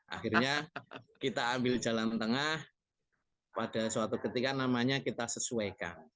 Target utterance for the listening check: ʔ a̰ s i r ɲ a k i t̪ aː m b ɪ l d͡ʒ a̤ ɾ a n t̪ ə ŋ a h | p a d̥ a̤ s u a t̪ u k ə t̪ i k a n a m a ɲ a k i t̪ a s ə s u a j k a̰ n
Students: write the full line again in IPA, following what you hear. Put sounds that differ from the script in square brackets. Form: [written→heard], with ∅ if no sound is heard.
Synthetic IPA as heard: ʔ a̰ [s→x] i r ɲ a k i t̪ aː m b ɪ l d͡ʒ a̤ [ɾ→l] a n t̪ ə ŋ a h | p a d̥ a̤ s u a t̪ u k ə t̪ i k a n a m a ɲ a k i t̪ a s ə s u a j k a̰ n